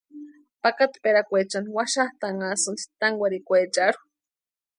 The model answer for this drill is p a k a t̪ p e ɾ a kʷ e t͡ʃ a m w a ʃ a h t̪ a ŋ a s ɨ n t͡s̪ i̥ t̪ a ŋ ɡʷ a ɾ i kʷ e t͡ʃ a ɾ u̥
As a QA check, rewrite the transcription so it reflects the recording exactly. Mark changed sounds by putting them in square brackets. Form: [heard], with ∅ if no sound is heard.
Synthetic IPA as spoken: p a k a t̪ p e ɾ a kʷ e t͡ʃ a [n] w a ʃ a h t̪ a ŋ a s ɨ n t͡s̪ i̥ t̪ a ŋ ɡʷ a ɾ i kʷ e t͡ʃ a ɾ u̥